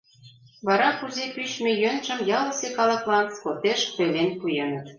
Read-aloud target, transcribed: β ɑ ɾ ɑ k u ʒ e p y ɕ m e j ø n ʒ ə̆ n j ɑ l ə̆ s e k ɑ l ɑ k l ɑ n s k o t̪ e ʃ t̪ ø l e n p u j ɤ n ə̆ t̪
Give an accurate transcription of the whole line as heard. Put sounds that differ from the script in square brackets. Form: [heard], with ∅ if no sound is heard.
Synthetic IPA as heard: β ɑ ɾ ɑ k u [z] e p y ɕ m e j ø n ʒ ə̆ [m] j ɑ l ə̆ s e k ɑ l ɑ k l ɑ n s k o t̪ e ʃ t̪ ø l e n p u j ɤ n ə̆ t̪